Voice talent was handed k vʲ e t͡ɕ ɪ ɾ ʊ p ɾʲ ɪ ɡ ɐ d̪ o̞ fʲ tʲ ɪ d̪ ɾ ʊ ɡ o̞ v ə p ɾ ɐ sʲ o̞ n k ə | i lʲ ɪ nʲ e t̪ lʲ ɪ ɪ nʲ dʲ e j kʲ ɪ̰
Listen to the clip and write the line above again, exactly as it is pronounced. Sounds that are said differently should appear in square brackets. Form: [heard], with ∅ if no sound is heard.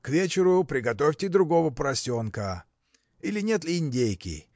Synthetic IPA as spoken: k vʲ e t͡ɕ ɪ ɾ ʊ p ɾʲ ɪ ɡ ɐ [t̪] o̞ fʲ tʲ ɪ d̪ ɾ ʊ ɡ o̞ v ə p ɾ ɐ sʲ o̞ n k ə | i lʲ ɪ nʲ e t̪ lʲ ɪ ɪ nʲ dʲ e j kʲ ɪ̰